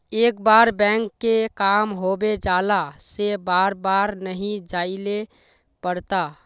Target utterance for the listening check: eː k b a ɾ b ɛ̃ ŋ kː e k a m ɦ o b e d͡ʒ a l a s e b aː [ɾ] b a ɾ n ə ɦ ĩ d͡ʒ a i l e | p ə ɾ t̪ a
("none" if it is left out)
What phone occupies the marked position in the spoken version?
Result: ɾ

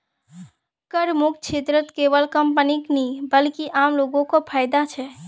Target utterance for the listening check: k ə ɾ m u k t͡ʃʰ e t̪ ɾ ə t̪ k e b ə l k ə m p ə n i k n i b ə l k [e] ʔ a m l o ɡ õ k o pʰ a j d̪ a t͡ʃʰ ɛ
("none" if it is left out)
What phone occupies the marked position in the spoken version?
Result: i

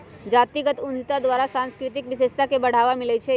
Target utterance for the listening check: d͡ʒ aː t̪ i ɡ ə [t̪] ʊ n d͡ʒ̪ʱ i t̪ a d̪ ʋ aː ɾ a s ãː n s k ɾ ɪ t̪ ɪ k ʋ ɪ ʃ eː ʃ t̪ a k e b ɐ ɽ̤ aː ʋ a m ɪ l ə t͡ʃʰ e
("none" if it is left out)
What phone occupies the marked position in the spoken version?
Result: t̪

